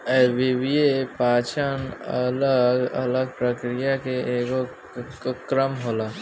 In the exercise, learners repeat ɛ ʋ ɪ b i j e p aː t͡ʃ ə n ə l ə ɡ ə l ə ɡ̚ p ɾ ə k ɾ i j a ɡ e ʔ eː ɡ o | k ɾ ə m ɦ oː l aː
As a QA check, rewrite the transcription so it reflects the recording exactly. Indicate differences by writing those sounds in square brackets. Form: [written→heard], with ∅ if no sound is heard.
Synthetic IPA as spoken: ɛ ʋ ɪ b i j e p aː t͡ʃ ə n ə l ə ɡ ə l ə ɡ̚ p ɾ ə k ɾ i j a [ɡ→k] e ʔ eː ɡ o | k ɾ ə m ɦ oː l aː